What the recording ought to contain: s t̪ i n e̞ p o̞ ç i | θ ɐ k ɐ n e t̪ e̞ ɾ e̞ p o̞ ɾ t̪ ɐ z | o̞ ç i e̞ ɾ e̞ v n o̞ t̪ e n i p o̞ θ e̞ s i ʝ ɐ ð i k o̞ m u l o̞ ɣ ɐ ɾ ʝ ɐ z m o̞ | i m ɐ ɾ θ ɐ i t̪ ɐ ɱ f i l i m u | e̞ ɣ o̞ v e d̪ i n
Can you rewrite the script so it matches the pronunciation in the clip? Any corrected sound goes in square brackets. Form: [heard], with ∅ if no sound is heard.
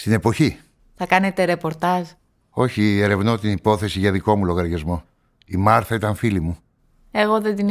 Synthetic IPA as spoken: s t̪ i n e̞ p o̞ ç i | θ ɐ k ɐ n e t̪ e̞ ɾ e̞ p o̞ ɾ t̪ ɐ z | o̞ ç i e̞ ɾ e̞ v n o̞ t̪ [i] n i p o̞ θ e̞ s i ʝ ɐ ð i k o̞ m u l o̞ ɣ ɐ ɾ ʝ ɐ z m o̞ | i m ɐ ɾ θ ɐ i t̪ ɐ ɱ f i l i m u | e̞ ɣ o̞ [ð] e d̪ i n